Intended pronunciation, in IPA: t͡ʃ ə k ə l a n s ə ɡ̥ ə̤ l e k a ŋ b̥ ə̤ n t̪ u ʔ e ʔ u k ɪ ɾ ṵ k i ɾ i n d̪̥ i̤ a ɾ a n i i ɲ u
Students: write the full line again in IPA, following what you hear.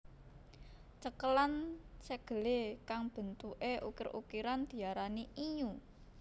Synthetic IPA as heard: t͡ʃ ə k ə l a n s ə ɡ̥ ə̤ l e k a ŋ b̥ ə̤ n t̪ u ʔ e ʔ u k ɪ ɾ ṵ k i ɾ a n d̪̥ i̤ a ɾ a n i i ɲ u